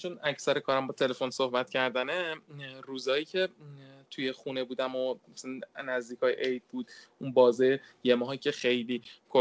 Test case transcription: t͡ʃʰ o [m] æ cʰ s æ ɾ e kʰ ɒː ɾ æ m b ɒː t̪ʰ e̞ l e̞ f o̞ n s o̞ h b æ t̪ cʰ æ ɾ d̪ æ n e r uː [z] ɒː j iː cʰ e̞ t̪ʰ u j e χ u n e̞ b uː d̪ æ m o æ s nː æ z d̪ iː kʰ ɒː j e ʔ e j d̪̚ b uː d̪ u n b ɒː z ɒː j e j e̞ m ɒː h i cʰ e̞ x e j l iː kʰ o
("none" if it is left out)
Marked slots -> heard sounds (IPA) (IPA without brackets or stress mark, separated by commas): n, z